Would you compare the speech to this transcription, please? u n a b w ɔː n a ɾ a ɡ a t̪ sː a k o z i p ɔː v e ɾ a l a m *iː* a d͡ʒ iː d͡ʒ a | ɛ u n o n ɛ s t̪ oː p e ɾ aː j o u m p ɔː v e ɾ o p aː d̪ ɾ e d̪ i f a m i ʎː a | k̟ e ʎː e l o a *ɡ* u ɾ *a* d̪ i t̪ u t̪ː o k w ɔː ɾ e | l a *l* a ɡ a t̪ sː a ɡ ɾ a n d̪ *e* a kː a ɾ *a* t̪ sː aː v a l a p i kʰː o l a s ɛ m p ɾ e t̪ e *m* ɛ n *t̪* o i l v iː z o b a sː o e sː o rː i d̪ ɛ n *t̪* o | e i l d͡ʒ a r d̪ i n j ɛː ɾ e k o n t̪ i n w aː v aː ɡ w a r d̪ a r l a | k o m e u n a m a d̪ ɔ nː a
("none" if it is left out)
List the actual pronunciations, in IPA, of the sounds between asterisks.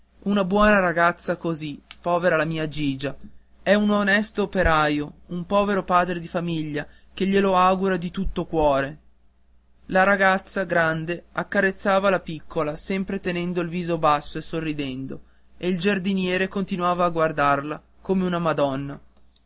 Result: iː, ɡ, a, ɾ, e, e, n, d̪, d̪

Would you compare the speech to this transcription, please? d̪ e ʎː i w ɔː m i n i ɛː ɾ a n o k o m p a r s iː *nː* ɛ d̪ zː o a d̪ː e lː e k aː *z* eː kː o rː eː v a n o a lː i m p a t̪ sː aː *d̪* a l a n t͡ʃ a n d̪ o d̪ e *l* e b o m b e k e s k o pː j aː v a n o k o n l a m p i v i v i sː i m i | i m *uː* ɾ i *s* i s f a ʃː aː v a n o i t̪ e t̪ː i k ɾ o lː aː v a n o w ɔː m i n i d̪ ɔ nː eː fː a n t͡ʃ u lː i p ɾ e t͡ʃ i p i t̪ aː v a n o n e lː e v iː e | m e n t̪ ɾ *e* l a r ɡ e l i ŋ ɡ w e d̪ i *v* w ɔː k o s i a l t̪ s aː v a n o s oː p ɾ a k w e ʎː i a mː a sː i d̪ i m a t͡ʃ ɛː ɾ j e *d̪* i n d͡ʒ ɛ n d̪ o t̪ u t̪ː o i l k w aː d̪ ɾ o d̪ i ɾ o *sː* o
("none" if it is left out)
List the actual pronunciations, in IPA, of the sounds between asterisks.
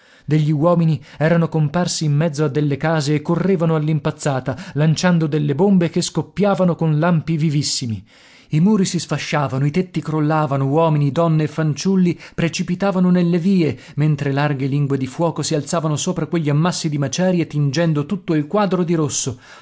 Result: mː, z, t̪, lː, uː, s, e, f, t̪, sː

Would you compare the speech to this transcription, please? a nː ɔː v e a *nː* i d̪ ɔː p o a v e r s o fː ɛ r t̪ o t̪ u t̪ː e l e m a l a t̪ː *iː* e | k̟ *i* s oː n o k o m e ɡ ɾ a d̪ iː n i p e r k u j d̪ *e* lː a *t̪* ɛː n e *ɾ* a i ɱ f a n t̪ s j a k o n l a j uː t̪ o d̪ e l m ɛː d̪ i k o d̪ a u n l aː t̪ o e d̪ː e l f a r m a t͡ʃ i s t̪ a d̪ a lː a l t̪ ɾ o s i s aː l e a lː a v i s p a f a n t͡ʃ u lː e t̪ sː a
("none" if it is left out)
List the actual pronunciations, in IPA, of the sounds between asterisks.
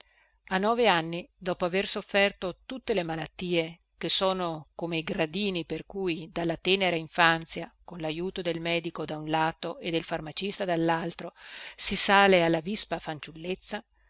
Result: nː, iː, e, a, t̪, ɾ

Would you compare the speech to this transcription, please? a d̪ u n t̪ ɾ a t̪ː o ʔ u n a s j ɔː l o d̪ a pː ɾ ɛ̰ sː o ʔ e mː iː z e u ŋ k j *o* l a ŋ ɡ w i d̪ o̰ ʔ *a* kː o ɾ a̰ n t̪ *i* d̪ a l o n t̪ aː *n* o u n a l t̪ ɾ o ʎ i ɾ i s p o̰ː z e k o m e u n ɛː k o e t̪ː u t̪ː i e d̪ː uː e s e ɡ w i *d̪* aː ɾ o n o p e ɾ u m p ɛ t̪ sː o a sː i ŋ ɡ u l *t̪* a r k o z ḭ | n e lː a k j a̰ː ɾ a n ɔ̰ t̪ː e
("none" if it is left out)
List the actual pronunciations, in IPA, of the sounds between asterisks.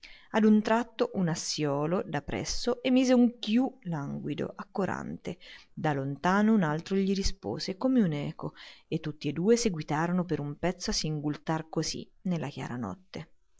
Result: u, a, e, n, t̪, t̪

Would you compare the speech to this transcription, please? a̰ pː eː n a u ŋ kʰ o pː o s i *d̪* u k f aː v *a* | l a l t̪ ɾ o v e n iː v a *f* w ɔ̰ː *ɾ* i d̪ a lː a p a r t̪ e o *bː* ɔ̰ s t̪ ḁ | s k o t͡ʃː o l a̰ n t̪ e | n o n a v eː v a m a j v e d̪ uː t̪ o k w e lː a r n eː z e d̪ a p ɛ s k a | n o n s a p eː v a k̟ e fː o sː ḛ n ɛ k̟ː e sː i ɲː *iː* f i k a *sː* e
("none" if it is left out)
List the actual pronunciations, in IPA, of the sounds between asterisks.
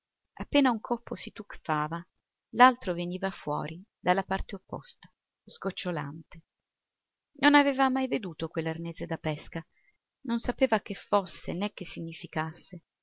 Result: t̪, a, f, ɾ, pː, i, sː

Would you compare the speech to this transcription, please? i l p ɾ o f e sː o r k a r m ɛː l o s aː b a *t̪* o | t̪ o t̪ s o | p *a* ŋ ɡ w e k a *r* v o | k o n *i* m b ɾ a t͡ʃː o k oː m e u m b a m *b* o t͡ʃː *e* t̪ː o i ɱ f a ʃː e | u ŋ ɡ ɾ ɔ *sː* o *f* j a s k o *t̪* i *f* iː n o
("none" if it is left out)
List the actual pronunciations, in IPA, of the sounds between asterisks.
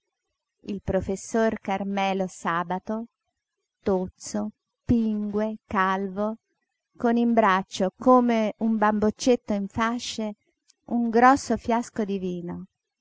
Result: t̪, i, l, i, b, e, sː, f, d̪, v

